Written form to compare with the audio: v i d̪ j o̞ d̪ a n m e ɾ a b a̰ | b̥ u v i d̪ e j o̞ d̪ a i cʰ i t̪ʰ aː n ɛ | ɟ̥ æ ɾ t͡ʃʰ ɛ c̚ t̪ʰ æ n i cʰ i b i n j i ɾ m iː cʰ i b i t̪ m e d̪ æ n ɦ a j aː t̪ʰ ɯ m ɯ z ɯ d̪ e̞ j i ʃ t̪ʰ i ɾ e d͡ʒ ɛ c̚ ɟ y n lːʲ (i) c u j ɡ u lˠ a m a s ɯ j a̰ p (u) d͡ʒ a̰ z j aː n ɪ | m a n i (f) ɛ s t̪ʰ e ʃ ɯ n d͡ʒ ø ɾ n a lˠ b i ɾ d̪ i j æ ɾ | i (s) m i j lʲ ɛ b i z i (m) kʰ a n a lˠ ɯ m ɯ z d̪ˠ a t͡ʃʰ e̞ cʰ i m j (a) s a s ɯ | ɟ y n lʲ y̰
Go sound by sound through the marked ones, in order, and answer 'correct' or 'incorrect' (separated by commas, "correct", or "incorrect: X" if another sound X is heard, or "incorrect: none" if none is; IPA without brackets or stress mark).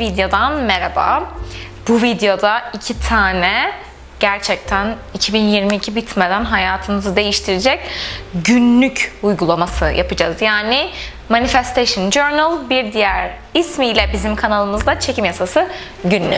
incorrect: y, incorrect: ɯ, correct, correct, correct, correct